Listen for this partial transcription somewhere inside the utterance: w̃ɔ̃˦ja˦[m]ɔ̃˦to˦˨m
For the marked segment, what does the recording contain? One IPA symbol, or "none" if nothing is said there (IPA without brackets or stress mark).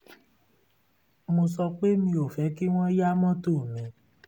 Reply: m